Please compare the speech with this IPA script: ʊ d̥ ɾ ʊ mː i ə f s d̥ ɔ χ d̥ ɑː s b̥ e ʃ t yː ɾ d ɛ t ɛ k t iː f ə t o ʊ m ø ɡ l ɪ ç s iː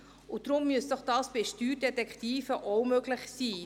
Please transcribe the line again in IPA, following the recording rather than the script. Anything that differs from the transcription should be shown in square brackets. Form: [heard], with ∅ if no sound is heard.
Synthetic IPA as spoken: ʊ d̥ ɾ ʊ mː [y] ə [∅] s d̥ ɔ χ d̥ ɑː s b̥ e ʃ t yː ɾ d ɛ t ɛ k t iː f ə [ʔ] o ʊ m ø ɡ l ɪ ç s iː